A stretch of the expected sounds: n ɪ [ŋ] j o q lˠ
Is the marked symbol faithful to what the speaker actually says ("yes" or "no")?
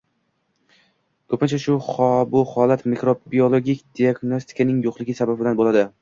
yes